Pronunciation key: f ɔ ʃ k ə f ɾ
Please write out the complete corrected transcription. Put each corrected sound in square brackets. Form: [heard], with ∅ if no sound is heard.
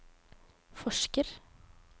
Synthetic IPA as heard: f ɔ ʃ k ə [∅] ɾ